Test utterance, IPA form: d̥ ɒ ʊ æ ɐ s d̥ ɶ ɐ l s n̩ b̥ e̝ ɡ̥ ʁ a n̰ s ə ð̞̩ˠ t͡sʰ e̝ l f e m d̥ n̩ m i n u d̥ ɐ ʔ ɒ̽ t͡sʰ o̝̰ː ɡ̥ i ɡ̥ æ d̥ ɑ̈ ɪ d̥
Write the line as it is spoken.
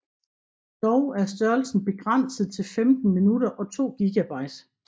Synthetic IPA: d̥ ɒ ʊ æ ɐ s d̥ ɶ ɐ l s n̩ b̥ e̝ ɡ̥ ʁ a n̰ s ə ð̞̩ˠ t͡sʰ e̝ l f e m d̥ n̩ m i n u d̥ ɐ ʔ ɒ̽ t͡sʰ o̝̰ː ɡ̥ i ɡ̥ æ b̥ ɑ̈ ɪ d̥